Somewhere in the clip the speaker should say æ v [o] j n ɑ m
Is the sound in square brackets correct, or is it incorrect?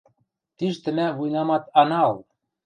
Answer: incorrect